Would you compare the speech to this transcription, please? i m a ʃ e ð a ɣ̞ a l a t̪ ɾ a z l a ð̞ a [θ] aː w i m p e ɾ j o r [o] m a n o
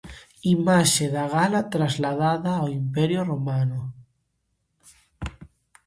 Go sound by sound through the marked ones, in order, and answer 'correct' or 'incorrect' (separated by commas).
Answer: incorrect, correct